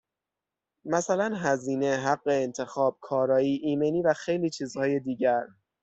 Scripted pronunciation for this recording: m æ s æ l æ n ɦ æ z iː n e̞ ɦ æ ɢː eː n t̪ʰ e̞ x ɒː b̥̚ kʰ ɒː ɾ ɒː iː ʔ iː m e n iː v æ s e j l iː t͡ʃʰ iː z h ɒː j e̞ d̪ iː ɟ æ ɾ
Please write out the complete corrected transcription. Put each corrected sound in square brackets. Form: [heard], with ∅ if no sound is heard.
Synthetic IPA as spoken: m æ s æ l æ n ɦ æ z iː n e̞ ɦ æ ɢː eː n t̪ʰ e̞ x ɒː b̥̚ kʰ ɒː ɾ ɒː iː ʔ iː m e n iː v æ [x] e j l iː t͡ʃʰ iː z h ɒː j e̞ d̪ iː ɟ æ ɾ